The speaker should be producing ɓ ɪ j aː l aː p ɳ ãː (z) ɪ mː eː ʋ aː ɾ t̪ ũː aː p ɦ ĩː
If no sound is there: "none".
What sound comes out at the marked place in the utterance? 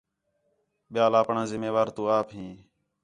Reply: z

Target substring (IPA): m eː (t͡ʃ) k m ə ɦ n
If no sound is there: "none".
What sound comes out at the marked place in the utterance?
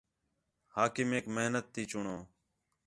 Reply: none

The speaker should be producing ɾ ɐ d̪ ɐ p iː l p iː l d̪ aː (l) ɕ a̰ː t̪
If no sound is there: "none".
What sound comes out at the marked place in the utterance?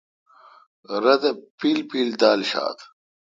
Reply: l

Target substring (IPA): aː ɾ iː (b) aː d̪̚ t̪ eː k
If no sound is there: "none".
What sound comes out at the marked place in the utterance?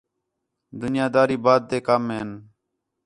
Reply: b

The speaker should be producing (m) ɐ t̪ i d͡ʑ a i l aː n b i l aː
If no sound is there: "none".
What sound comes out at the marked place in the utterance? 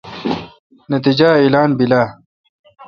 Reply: n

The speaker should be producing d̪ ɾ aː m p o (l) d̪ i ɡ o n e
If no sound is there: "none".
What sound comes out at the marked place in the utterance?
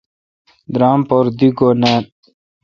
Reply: ɾ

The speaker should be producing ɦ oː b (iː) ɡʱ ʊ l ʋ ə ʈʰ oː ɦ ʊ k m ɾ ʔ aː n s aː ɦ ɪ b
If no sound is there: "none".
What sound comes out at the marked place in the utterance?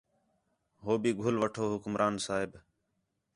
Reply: iː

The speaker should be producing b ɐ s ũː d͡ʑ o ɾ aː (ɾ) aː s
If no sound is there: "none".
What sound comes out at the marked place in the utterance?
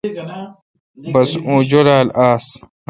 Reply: l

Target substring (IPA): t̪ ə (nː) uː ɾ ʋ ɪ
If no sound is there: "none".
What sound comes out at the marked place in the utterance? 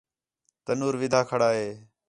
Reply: n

